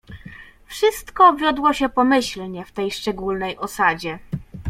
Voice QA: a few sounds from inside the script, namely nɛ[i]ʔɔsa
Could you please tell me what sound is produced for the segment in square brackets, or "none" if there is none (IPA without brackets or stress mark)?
j